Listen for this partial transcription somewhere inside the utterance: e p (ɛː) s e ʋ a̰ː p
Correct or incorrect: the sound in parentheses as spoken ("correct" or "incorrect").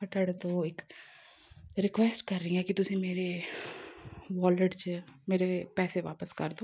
correct